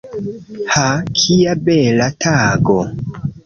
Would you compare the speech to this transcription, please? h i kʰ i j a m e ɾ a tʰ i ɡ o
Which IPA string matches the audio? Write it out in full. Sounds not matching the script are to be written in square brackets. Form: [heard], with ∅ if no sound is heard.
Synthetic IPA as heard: h [a] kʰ i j a [b] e [l] a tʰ [a] ɡ o